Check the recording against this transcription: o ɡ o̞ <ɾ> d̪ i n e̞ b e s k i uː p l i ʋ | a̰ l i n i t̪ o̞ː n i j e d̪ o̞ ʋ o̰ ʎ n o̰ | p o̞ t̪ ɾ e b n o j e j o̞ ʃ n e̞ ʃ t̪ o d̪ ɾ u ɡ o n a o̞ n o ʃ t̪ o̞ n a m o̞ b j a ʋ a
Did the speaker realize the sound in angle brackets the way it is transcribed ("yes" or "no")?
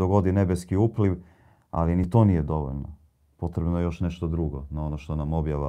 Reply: no